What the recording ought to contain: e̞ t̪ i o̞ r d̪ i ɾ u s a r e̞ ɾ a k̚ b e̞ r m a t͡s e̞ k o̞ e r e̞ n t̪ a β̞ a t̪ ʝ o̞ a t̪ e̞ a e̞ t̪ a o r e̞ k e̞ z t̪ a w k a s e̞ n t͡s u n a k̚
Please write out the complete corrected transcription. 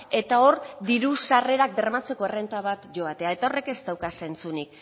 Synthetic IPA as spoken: e̞ t̪ a o̞ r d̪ i ɾ u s a r e̞ ɾ a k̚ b e̞ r m a t͡s e̞ k o̞ e r e̞ n t̪ a β̞ a t̪ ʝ o̞ a t̪ e̞ a e̞ t̪ a o r e̞ k e̞ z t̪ a w k a s e̞ n t͡s u n i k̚